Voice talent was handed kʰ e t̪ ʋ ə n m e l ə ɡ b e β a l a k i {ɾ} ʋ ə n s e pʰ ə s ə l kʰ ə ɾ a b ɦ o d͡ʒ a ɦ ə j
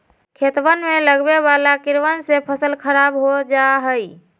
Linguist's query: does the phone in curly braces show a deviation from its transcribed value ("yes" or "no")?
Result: no